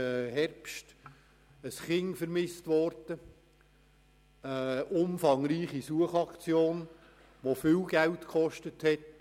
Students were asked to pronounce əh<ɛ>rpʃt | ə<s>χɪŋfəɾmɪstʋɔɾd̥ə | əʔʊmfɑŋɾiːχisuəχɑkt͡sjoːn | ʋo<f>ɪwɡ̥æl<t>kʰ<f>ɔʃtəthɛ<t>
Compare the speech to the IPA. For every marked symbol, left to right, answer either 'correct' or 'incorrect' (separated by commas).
correct, correct, correct, correct, incorrect, correct